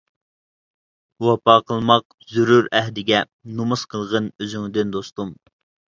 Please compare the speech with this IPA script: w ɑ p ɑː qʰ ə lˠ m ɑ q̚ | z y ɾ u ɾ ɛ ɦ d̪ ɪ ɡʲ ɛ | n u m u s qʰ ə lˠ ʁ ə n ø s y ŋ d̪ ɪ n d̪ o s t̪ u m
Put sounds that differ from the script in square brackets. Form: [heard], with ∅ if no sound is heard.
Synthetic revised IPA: w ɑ p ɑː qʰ ə lˠ m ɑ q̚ | z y ɾ u ɾ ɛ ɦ d̪ ɪ ɡʲ ɛ | n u m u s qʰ ə lˠ ʁ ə n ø [z] y ŋ d̪ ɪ n d̪ o s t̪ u m